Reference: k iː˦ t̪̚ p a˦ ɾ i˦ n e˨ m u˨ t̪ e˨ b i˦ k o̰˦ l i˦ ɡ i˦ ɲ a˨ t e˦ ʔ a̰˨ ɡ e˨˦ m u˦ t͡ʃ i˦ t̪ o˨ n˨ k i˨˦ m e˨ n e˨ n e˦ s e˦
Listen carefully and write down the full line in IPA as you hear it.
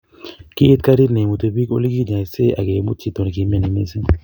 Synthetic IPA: k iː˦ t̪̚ k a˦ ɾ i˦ n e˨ m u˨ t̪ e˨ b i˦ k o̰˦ l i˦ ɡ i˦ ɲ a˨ s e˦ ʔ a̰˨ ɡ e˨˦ m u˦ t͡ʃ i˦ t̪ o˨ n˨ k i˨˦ m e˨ n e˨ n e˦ s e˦